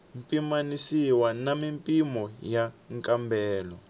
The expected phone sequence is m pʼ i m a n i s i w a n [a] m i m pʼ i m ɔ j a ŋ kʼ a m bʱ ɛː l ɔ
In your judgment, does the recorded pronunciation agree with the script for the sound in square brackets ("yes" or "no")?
yes